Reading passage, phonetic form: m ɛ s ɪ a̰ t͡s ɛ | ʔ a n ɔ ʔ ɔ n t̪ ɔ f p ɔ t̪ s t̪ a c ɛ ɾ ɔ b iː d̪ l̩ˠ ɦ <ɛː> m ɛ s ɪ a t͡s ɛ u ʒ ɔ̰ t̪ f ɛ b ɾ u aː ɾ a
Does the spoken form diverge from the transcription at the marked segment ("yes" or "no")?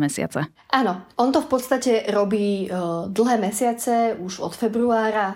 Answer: no